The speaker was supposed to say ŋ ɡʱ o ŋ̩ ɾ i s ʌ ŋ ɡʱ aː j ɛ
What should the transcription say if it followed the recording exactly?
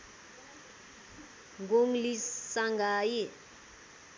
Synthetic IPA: ŋ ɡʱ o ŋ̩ l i s a ŋ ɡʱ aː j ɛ